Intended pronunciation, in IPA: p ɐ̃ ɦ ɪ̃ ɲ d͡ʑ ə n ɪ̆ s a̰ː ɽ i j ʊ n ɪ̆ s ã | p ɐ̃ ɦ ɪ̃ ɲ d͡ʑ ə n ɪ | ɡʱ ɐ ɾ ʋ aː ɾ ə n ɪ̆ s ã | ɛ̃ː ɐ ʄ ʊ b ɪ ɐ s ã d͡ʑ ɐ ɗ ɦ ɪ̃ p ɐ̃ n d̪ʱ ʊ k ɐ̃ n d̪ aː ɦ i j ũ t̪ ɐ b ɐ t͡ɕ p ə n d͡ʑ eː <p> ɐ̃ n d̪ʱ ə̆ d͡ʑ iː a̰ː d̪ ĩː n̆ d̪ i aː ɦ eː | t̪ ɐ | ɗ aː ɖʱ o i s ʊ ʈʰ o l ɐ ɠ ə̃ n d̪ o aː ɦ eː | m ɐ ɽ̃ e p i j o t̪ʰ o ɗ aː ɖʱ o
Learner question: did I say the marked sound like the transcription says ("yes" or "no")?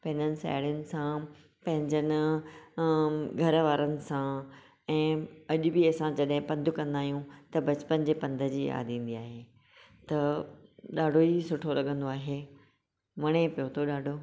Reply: yes